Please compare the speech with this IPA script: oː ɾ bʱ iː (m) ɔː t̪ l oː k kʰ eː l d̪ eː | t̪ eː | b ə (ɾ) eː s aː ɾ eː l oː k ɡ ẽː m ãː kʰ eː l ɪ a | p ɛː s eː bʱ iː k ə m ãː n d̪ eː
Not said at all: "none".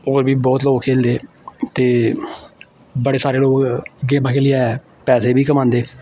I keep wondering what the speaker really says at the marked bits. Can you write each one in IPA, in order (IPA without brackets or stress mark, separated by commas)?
b, ɽ